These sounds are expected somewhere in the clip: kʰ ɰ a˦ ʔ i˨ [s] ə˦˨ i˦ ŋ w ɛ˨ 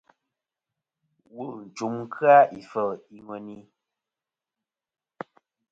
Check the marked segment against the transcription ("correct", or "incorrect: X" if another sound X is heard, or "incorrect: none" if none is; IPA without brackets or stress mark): incorrect: f